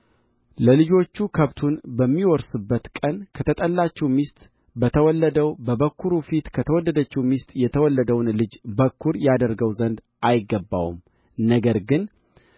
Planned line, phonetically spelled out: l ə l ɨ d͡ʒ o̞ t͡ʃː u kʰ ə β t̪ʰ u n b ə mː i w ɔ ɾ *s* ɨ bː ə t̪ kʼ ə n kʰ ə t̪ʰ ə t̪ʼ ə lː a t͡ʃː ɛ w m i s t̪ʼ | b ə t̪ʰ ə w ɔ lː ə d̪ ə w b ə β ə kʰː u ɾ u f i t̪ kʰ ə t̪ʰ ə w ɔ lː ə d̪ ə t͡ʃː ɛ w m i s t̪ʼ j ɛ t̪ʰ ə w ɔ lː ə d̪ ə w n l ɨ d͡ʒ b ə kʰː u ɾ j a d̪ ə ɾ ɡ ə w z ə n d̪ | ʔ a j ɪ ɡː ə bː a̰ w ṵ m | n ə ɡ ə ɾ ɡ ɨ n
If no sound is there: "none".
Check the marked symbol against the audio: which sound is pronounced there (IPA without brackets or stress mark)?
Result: s